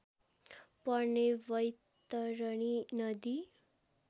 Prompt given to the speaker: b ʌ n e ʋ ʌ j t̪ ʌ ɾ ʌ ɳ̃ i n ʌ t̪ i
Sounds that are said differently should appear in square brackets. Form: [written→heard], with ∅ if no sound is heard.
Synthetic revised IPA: [b→p] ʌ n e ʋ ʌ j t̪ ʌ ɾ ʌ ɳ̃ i n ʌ [t̪→d̪] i